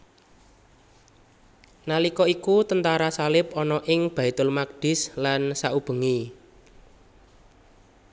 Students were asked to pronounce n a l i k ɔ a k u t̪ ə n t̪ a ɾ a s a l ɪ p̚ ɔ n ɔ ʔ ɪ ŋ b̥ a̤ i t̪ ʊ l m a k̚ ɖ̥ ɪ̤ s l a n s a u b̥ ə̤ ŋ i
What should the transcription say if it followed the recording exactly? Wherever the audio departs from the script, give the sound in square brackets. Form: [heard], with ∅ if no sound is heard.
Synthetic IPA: n a l i k ɔ [i] k u t̪ ə n t̪ a ɾ a s a l ɪ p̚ ɔ n ɔ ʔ ɪ ŋ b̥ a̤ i t̪ ʊ l m a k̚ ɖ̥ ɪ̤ s l a n s a u b̥ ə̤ ŋ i